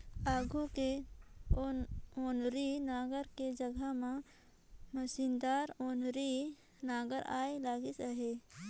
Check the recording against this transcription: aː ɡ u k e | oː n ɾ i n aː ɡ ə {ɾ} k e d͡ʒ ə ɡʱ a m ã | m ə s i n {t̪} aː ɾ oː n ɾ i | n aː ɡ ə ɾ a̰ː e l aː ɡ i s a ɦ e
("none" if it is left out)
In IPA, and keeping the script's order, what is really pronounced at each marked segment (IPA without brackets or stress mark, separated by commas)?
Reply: ɾ, d̪